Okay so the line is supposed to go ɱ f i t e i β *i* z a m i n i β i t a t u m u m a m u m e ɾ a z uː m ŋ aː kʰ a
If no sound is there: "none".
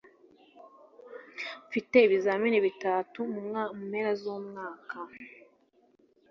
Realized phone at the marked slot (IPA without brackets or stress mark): i